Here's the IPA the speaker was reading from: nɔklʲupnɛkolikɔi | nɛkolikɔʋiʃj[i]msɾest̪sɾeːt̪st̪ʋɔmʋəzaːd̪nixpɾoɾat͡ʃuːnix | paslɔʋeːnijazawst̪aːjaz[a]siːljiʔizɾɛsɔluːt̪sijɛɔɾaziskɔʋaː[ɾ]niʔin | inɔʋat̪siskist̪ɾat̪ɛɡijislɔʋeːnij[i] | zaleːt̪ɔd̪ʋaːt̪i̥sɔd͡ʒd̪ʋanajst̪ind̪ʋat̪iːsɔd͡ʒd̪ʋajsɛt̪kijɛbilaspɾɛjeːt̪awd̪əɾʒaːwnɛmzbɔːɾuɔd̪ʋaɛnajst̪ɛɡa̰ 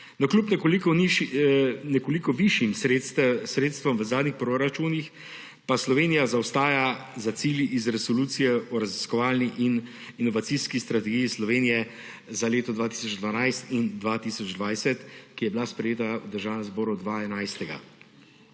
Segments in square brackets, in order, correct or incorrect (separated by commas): correct, correct, incorrect, incorrect